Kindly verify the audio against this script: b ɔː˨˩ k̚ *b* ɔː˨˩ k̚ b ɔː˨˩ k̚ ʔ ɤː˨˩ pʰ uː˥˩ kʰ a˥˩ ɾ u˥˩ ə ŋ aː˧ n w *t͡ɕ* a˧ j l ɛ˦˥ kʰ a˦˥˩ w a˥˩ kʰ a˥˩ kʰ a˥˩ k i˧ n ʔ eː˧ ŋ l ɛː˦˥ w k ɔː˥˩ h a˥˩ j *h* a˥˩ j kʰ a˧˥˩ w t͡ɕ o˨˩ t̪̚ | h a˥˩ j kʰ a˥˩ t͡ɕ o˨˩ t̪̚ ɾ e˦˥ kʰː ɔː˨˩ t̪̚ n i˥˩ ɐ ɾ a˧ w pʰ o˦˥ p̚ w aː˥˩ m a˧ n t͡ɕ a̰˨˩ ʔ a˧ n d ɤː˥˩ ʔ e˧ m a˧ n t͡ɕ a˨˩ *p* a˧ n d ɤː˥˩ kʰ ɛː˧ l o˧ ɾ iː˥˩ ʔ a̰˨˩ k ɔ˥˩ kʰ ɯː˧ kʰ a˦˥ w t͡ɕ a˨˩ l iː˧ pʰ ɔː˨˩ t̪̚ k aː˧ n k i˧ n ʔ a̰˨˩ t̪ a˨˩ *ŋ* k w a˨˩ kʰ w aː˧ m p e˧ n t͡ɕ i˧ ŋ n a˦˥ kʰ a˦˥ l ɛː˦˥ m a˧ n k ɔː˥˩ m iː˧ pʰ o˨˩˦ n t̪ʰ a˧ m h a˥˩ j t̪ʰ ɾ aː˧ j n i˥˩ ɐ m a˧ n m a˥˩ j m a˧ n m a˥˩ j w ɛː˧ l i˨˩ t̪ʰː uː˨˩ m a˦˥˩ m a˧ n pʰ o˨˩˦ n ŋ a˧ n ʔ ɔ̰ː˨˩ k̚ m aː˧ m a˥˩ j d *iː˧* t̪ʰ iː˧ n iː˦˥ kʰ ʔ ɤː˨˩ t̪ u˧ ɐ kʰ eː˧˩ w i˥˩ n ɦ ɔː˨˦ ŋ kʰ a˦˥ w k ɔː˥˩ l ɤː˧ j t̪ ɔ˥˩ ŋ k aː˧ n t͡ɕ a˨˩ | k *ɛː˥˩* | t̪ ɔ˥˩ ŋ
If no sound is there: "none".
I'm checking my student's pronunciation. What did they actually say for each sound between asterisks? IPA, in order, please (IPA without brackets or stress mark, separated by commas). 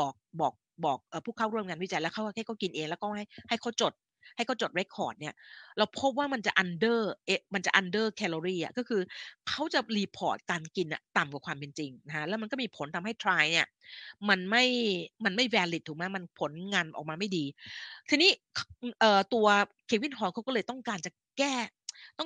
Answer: b, t͡ɕ, h, ʔ, m, iː˧, ɛː˥˩